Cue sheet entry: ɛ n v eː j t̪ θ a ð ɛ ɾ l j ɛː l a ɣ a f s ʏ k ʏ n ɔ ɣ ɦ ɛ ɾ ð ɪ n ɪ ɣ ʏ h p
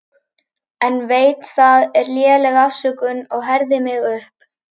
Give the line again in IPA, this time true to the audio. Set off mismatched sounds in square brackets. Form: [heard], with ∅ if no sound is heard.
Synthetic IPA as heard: ɛ n v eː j t̪ θ a ð ɛ ɾ l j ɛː l [ɛ] ɣ a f s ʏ k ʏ n ɔ ɣ ɦ ɛ ɾ ð ɪ [m] ɪ ɣ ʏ h p